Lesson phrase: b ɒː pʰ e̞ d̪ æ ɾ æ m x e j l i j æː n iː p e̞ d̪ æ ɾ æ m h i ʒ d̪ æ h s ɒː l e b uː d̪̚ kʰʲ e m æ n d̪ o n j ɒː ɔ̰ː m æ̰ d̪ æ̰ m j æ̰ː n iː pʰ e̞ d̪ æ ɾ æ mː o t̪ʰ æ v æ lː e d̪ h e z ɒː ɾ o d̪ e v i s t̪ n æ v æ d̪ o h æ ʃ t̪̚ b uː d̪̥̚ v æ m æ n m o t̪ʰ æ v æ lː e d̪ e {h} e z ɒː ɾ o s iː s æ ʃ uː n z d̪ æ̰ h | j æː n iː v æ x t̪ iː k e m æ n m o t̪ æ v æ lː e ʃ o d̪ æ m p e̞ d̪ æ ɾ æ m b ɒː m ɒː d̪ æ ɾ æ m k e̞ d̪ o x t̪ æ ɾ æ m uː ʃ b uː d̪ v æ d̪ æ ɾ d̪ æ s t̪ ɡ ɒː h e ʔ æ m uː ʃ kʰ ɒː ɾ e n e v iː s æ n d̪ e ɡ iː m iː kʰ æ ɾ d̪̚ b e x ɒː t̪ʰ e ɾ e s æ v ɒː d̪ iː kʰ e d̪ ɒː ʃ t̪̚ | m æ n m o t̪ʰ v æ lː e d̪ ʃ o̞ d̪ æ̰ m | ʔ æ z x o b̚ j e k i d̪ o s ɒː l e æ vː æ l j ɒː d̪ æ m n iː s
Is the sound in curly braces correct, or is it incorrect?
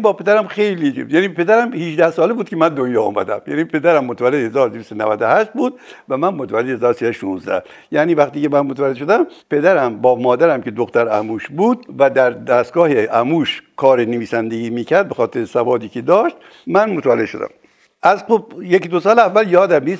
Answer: correct